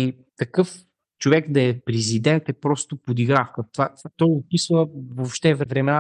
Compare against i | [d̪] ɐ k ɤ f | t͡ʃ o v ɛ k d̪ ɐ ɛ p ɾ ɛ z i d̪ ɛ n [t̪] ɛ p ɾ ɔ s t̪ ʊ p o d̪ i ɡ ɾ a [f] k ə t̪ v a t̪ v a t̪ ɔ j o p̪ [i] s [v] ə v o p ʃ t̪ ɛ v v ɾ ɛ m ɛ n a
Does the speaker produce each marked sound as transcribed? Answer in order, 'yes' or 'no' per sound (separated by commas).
no, yes, yes, yes, yes